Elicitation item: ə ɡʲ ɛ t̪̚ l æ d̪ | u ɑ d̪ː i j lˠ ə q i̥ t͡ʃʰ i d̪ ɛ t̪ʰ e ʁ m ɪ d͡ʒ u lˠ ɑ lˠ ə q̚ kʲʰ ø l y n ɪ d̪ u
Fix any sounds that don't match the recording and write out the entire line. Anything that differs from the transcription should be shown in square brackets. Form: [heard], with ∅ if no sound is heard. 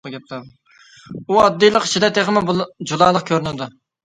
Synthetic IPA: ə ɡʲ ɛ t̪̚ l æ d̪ | u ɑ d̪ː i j lˠ ə q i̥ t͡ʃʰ i d̪ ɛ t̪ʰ e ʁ m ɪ d͡ʒ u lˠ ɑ lˠ ə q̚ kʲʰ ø [ɾ] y n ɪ d̪ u